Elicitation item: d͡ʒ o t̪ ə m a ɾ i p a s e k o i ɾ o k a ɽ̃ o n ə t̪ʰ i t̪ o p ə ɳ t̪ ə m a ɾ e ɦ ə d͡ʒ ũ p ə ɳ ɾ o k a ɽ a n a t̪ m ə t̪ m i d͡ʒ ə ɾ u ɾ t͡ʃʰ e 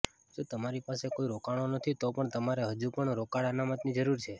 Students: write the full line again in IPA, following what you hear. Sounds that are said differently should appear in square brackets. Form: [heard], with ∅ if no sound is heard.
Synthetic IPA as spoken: d͡ʒ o t̪ ə m a ɾ i p a s e k o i ɾ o k a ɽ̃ o n ə t̪ʰ i t̪ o p ə ɳ t̪ ə m a ɾ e ɦ ə d͡ʒ [u] p ə ɳ ɾ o k a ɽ a n a [∅] m ə t̪ [n] i d͡ʒ ə ɾ u ɾ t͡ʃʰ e